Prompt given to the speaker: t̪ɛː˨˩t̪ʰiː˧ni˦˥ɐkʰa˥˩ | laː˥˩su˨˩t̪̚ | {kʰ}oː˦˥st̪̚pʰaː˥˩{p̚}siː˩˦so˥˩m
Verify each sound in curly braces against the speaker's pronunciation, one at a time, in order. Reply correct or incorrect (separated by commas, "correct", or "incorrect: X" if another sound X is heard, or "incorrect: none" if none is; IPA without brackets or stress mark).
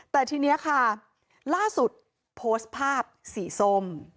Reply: incorrect: pʰ, correct